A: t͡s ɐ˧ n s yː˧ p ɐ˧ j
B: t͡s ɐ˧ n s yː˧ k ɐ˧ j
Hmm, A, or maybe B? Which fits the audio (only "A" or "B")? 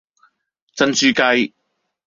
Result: B